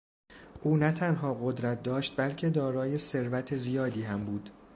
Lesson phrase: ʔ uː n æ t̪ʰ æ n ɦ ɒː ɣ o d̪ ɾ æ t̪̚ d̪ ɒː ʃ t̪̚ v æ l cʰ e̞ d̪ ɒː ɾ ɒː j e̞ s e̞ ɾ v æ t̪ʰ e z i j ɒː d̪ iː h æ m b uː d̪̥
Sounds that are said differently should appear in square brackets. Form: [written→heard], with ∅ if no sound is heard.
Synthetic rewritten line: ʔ uː n æ t̪ʰ æ n ɦ ɒː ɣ o d̪ ɾ æ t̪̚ d̪ ɒː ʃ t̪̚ [v→b] æ l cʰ e̞ d̪ ɒː ɾ ɒː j e̞ s e̞ ɾ v æ t̪ʰ e z i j ɒː d̪ iː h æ m b uː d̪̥